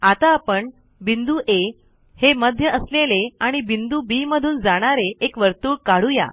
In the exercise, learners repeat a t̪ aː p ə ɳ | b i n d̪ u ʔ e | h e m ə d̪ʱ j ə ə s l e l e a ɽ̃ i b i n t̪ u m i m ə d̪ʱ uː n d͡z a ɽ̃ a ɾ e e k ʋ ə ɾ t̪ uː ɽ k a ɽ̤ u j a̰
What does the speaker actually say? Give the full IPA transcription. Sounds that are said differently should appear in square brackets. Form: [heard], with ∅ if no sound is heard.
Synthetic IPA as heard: a t̪ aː p ə ɳ | b i n d̪ u ʔ e | h e m ə d̪ʱ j ə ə s l e l e a ɽ̃ i b i n [d̪] u [b] i m ə d̪ʱ uː n d͡z a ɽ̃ a ɾ e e k ʋ ə ɾ t̪ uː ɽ k a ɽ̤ u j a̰